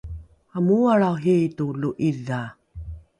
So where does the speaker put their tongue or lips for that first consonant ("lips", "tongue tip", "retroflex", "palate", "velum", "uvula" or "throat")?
lips